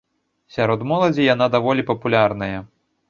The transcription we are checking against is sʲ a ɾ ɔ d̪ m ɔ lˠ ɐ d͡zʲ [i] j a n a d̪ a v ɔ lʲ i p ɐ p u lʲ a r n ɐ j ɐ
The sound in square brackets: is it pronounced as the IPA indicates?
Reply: yes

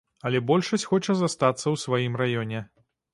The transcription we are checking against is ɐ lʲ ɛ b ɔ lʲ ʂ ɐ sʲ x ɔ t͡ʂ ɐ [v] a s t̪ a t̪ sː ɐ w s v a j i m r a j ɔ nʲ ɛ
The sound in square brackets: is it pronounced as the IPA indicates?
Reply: no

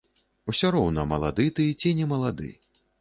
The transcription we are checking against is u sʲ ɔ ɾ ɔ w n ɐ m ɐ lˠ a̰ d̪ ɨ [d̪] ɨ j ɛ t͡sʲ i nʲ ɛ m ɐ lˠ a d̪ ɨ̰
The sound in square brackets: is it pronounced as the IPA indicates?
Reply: no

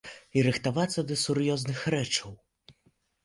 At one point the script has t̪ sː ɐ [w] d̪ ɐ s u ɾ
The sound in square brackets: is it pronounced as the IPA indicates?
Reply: no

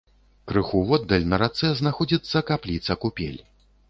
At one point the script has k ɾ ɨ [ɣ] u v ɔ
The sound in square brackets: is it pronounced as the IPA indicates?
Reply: no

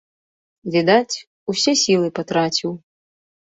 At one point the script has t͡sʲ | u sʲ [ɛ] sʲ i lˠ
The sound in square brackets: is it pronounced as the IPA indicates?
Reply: yes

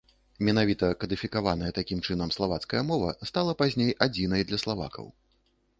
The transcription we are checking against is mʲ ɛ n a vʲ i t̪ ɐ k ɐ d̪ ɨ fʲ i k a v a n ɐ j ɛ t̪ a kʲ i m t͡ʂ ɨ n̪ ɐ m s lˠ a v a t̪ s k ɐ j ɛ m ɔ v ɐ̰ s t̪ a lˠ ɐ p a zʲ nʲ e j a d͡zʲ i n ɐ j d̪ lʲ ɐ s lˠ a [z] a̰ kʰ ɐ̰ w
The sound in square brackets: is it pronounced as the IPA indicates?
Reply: no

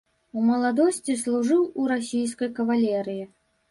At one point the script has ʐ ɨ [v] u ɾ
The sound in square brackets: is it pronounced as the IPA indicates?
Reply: no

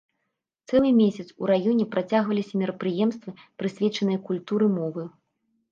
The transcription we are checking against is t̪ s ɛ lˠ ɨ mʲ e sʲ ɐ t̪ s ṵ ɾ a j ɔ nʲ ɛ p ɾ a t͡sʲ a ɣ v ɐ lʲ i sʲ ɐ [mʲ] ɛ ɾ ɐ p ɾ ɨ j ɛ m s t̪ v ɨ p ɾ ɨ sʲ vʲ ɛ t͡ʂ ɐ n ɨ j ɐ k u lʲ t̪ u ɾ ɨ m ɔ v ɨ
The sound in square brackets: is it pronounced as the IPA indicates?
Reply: yes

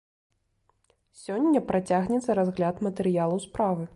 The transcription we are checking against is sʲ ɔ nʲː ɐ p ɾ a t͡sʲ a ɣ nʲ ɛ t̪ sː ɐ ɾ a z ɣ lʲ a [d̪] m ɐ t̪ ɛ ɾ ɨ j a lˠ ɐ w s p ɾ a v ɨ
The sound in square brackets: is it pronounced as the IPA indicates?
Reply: no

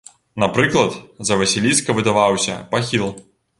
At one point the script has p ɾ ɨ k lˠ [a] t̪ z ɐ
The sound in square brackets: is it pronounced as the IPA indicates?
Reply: no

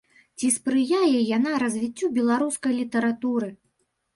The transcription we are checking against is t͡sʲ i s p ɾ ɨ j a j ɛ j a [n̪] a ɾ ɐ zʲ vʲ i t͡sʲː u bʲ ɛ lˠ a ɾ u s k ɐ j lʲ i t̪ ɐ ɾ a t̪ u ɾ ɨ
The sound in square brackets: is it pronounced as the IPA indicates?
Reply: yes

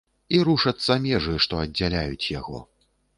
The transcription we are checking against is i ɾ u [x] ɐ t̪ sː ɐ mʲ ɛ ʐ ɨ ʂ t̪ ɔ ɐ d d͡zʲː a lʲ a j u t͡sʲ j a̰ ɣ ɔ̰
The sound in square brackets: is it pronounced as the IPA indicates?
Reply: no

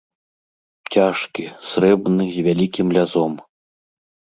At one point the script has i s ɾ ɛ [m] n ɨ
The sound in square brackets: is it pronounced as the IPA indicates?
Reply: no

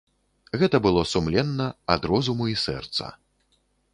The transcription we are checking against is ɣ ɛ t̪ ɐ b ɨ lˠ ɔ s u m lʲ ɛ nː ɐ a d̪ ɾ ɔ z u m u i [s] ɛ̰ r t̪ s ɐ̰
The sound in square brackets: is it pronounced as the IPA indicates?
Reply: yes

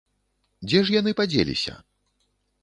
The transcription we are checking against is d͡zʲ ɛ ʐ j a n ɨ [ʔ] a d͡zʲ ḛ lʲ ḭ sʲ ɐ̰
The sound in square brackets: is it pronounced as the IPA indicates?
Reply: no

